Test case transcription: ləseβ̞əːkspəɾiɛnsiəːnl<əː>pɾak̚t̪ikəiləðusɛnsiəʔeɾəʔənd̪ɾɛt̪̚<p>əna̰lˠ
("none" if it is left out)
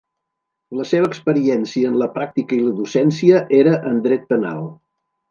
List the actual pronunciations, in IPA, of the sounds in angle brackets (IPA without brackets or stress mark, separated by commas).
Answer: ə, p